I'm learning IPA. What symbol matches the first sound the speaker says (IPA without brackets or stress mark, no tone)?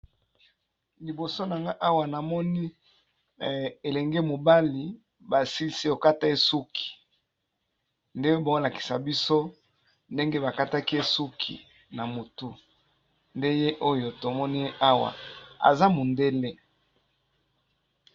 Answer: l